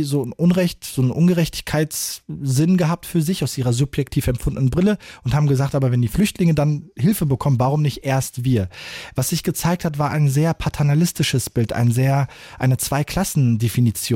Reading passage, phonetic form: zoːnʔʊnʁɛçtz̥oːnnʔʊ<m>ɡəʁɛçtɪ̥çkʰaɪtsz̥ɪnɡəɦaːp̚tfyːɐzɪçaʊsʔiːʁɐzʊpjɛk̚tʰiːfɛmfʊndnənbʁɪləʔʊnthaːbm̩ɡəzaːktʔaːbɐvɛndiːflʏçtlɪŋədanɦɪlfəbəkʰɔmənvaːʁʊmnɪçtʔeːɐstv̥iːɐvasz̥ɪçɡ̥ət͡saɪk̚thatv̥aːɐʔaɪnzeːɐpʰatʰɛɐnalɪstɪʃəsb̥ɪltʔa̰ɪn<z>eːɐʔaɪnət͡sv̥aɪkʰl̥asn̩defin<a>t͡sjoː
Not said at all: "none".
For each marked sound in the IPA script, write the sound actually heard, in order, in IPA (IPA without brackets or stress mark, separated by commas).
n, z, i